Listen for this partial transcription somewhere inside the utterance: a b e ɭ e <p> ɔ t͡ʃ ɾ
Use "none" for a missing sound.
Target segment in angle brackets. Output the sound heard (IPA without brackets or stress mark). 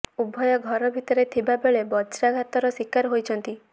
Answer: b